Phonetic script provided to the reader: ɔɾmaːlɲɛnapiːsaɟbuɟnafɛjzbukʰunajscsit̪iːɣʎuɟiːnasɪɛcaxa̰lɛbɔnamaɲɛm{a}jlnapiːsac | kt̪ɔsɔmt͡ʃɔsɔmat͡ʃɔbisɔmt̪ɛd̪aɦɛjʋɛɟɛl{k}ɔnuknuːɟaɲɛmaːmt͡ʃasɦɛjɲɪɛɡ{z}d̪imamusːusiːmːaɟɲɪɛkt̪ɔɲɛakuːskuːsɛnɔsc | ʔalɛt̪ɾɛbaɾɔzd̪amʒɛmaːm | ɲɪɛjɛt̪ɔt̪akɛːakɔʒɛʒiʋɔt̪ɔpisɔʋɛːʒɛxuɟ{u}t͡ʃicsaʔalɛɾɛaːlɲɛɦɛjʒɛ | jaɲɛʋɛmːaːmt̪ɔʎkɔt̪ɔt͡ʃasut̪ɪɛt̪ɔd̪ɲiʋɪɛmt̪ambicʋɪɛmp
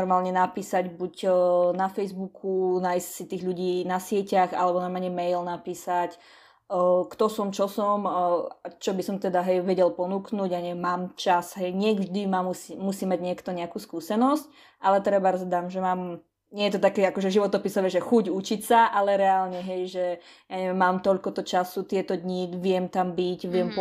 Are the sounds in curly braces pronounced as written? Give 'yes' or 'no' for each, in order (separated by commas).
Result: no, no, no, yes